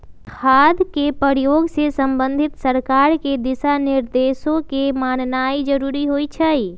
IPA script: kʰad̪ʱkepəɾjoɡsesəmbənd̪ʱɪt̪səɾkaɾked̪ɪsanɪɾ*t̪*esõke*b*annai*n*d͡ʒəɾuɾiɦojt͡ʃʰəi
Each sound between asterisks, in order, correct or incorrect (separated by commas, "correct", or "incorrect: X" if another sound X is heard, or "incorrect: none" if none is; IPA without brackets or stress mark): incorrect: d̪, incorrect: m, incorrect: none